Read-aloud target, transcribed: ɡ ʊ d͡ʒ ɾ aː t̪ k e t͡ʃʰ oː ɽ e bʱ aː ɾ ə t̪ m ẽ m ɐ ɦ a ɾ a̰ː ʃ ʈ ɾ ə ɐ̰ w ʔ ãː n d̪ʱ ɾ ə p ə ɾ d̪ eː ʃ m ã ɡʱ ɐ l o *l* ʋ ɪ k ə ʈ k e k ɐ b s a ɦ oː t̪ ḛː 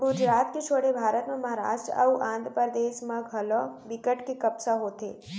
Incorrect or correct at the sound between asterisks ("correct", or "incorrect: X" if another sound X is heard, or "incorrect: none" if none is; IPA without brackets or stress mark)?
incorrect: none